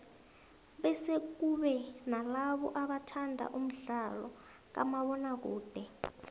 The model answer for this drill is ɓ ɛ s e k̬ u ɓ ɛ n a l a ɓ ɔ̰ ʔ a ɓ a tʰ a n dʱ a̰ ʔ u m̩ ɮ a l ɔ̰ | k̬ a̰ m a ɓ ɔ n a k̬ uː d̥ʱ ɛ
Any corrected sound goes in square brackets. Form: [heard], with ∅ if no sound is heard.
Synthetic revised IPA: ɓ ɛ s e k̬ u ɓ ɛ n a l a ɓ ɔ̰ ʔ a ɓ a tʰ a n dʱ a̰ ʔ u m̩ ɮ a l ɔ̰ | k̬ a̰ m a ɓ ɔ n a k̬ uː d̥ʱ ɛ